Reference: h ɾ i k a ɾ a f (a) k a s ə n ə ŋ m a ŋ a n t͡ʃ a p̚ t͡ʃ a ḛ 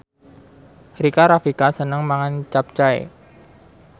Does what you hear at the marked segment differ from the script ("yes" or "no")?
yes